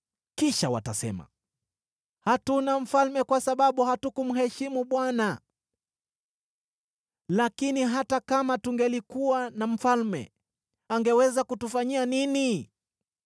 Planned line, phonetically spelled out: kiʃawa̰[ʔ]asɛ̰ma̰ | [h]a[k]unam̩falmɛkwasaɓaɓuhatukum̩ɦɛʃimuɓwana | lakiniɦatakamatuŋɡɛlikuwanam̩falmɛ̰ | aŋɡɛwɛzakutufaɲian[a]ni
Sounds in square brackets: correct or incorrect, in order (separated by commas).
incorrect, correct, incorrect, incorrect